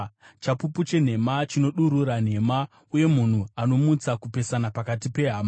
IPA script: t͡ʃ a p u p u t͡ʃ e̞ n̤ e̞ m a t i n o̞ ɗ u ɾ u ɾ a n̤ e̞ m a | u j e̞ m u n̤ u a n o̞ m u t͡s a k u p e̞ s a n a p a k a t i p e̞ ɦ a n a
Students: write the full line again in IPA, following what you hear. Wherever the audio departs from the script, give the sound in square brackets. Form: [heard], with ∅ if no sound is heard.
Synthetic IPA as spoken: t͡ʃ a p u p u t͡ʃ e̞ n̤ e̞ m a [t͡ʃ] i n o̞ ɗ u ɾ u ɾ a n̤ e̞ m a | u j e̞ m u n̤ u a n o̞ m u t͡s a k u p e̞ s a n a p a k a t i p e̞ ɦ a [m] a